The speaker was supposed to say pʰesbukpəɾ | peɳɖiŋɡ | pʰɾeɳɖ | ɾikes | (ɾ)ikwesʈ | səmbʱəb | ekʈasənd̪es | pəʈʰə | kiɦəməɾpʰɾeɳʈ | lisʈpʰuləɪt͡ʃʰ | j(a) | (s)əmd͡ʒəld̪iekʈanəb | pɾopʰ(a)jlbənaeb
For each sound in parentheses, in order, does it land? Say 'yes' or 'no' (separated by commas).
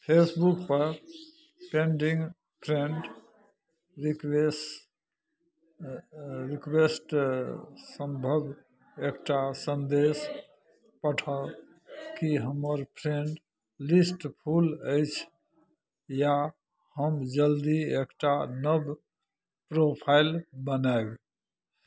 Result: yes, yes, no, yes